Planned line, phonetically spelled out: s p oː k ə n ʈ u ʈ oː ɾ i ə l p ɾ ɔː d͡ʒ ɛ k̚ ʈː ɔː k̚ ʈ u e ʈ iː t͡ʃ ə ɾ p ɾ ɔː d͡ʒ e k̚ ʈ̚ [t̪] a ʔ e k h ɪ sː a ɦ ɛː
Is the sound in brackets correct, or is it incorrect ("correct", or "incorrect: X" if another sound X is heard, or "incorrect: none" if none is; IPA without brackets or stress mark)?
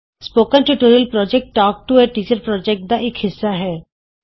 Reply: incorrect: d̪